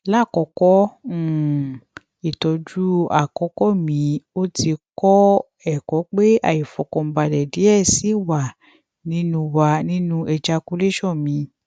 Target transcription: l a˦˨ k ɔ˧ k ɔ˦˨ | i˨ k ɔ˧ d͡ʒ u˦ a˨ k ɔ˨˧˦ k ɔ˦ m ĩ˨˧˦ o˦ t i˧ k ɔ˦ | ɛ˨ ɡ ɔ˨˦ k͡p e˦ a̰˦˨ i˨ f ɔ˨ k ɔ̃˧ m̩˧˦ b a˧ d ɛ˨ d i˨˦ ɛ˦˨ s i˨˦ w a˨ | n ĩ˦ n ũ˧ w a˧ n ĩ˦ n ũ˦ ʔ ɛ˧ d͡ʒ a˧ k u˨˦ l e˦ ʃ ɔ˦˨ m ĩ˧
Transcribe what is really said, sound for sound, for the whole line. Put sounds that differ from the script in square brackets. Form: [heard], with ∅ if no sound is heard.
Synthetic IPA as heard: l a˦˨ k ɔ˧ k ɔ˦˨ | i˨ [t] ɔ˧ d͡ʒ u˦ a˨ k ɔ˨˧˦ k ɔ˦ m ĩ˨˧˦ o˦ t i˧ k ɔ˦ | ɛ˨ [k] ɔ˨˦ k͡p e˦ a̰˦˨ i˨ f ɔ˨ k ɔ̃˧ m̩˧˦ b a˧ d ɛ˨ d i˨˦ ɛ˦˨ s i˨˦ w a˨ | n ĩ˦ n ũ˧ w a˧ n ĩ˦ n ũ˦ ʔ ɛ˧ d͡ʒ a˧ k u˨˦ l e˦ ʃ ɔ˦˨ m ĩ˧